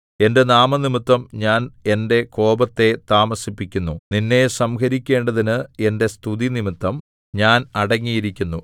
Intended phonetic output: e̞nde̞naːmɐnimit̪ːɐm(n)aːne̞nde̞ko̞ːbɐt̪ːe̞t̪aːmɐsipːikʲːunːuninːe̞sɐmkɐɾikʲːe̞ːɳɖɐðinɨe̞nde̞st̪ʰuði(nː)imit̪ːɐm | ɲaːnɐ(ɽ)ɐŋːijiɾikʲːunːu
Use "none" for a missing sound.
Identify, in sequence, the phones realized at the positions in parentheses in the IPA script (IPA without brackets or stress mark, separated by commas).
ɲ, n, ɽ